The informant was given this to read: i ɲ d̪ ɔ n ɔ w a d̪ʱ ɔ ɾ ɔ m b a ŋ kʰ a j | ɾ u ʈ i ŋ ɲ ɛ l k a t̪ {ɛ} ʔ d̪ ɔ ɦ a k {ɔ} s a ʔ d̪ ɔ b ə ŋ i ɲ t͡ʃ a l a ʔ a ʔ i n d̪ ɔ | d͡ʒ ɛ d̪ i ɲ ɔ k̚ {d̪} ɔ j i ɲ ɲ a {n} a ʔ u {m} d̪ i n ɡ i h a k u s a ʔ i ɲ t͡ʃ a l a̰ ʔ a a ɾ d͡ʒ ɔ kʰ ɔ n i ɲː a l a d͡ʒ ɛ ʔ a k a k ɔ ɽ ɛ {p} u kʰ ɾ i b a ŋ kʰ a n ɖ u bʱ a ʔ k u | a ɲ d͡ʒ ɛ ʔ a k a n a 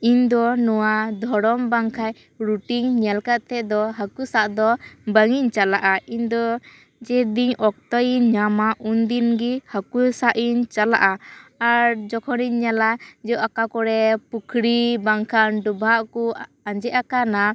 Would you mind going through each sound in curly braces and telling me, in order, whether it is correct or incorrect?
correct, incorrect: u, incorrect: t̪, incorrect: m, incorrect: n, correct

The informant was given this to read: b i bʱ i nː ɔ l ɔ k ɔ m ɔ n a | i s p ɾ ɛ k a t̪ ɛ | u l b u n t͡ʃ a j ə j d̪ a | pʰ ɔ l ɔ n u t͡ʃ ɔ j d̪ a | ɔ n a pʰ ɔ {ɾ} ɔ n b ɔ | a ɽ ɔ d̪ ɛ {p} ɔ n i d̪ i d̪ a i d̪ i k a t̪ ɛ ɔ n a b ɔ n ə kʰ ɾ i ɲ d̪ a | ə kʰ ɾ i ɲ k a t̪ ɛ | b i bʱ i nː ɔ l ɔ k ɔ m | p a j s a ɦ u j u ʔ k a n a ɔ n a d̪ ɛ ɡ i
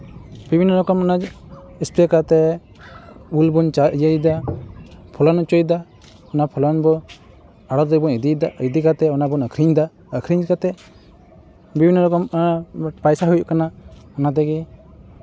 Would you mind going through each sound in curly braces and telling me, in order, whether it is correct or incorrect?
incorrect: l, incorrect: b

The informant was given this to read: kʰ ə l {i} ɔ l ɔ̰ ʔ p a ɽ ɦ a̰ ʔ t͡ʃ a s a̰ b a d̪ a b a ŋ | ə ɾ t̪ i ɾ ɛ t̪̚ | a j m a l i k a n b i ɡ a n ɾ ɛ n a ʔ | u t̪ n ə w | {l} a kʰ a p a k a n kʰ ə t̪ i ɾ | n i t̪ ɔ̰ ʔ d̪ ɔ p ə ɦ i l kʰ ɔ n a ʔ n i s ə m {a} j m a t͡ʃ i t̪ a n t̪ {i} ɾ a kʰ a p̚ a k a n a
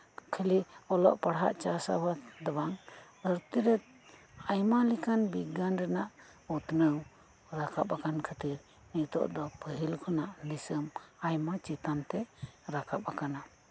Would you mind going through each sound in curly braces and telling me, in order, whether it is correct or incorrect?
correct, incorrect: ɾ, correct, incorrect: ɛ

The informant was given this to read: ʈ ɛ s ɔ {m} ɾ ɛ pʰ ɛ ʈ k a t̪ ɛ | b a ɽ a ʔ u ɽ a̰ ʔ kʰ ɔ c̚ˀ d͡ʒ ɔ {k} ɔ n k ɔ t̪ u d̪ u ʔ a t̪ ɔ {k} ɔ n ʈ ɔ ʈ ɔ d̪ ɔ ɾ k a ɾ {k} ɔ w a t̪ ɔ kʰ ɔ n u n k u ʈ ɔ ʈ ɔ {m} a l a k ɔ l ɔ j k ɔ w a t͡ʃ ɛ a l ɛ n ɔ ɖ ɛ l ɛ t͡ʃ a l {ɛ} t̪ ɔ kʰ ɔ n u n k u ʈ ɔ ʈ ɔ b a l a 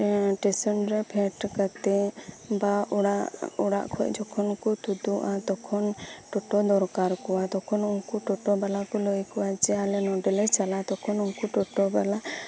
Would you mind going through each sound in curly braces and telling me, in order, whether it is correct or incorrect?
incorrect: n, incorrect: kʰ, incorrect: kʰ, correct, incorrect: b, incorrect: a

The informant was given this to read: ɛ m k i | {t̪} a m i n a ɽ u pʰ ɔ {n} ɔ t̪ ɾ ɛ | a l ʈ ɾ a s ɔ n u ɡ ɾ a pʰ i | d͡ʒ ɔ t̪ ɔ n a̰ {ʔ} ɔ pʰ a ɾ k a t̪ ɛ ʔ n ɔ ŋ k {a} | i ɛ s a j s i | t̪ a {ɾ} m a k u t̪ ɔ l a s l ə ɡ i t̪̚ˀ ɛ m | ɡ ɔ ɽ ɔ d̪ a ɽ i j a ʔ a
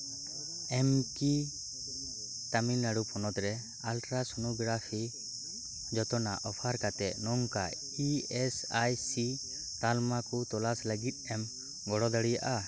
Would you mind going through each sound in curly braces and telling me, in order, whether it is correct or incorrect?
correct, correct, correct, correct, incorrect: l

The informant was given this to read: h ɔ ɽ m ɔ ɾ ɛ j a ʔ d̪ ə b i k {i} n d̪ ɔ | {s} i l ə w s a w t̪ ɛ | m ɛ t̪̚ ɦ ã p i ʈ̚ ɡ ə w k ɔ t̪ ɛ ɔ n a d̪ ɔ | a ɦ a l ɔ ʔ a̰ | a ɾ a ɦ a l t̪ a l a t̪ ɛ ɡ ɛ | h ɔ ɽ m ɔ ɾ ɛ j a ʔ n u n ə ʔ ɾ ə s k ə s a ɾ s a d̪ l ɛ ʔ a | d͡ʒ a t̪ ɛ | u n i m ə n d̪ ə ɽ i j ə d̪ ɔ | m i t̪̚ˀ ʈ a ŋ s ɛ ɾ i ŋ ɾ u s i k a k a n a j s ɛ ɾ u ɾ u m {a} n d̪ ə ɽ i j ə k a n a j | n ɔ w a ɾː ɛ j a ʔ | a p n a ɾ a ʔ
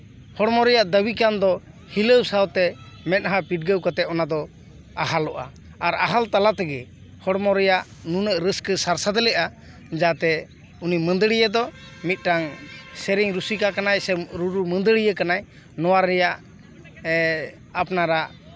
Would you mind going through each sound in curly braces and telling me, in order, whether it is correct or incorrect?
incorrect: a, incorrect: h, incorrect: ə

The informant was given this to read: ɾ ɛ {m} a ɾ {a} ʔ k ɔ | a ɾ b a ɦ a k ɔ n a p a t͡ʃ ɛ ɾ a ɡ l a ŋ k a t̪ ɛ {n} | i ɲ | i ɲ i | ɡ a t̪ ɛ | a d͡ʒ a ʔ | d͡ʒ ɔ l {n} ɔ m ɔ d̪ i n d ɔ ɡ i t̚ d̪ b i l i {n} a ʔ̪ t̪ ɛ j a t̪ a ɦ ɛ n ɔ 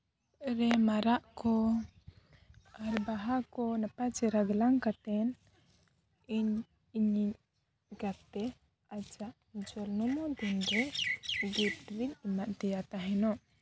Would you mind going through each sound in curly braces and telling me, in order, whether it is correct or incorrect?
correct, correct, correct, correct, incorrect: m

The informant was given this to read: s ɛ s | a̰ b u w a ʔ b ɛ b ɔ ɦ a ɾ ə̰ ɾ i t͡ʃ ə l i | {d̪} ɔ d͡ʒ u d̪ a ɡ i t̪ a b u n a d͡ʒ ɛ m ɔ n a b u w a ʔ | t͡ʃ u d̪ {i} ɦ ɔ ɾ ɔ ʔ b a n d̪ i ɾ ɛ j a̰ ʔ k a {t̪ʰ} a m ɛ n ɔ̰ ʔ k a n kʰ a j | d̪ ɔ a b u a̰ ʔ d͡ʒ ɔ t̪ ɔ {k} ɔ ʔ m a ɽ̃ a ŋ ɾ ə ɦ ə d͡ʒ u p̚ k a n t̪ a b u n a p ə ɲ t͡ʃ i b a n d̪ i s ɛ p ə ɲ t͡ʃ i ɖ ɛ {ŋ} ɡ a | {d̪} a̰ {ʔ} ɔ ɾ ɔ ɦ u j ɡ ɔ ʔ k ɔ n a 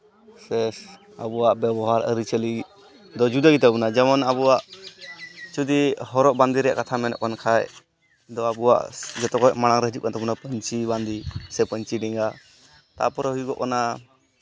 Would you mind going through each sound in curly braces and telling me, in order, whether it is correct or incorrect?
correct, correct, correct, correct, correct, incorrect: t̪, incorrect: p

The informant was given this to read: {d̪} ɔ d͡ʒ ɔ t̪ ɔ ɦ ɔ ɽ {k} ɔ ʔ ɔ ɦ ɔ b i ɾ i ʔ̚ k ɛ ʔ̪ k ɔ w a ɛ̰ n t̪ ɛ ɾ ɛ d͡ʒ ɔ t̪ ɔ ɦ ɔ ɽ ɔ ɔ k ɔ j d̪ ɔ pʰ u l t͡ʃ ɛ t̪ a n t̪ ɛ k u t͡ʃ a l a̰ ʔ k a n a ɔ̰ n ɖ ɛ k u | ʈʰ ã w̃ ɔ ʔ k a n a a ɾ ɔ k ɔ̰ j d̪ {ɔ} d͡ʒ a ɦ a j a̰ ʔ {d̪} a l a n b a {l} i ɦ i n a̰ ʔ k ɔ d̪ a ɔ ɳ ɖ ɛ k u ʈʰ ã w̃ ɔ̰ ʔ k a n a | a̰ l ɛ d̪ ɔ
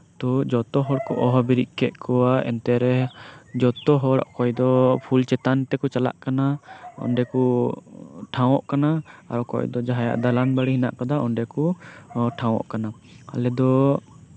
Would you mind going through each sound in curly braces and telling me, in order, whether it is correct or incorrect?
incorrect: t̪, correct, correct, correct, incorrect: ɽ

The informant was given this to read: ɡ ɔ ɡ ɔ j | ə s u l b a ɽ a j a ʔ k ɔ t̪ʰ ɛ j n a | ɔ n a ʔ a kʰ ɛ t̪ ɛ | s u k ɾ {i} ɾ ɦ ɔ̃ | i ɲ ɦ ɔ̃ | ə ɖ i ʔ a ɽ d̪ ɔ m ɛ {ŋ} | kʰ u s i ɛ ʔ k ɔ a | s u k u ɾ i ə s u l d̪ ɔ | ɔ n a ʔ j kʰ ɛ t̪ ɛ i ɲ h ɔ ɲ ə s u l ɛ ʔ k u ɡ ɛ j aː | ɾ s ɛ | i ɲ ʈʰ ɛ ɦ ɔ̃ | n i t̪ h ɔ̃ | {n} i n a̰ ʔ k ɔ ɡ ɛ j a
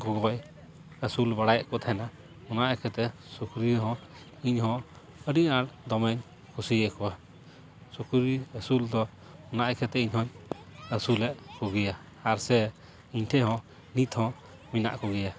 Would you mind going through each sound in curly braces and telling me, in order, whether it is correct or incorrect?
correct, incorrect: ɲ, incorrect: m

